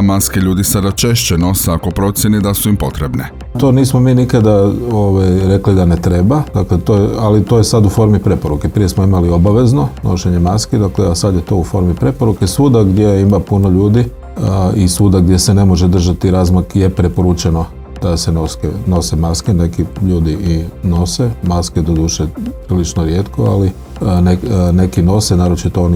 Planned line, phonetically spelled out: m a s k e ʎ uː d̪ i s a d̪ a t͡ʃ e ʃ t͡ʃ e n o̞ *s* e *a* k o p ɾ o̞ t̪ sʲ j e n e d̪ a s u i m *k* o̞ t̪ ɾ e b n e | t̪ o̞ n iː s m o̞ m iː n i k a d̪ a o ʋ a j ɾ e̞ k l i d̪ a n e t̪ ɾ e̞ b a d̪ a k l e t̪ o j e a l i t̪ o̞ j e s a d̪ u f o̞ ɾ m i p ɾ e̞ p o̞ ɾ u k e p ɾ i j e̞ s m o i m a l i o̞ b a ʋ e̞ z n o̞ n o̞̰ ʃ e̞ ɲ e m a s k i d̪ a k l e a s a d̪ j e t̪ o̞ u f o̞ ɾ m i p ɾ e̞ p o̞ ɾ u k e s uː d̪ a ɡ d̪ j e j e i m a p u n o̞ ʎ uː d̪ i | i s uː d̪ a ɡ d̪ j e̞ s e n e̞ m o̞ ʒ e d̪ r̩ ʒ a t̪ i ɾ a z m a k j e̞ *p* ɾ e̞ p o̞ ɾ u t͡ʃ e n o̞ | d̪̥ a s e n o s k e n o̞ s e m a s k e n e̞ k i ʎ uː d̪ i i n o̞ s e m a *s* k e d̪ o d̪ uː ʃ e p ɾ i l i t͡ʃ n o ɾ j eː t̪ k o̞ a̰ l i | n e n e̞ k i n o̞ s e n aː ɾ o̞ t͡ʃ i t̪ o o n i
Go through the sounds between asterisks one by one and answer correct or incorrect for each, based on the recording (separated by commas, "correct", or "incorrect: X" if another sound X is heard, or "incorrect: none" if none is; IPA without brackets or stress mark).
correct, correct, incorrect: p, correct, correct